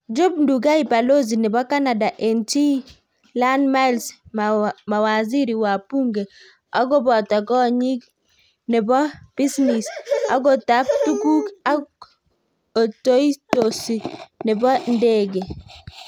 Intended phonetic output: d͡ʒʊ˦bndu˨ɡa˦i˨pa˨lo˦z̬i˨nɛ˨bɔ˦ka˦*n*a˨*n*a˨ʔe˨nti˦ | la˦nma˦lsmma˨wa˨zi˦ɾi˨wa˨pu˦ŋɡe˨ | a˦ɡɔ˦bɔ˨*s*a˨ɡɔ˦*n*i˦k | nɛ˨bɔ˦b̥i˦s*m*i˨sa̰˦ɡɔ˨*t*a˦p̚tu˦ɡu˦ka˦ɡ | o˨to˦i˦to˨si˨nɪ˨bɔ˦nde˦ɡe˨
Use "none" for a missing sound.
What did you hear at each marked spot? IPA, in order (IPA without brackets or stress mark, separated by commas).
n, d, t, ɲ, n, t